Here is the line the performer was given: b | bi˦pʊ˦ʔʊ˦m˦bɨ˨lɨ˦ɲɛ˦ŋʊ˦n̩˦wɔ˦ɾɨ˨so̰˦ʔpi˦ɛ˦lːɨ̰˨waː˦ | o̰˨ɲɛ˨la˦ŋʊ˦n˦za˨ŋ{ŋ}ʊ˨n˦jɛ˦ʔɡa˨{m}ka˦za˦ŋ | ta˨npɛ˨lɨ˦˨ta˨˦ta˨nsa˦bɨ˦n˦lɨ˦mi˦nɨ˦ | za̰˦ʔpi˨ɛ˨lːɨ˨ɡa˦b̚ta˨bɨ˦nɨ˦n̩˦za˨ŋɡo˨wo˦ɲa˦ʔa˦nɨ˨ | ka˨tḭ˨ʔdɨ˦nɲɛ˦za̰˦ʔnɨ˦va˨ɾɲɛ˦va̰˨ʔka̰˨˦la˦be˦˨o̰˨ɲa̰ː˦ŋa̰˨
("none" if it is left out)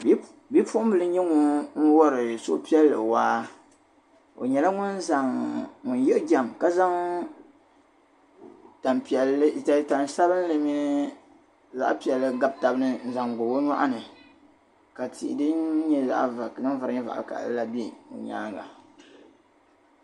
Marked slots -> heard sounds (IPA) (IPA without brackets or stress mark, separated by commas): ŋ, m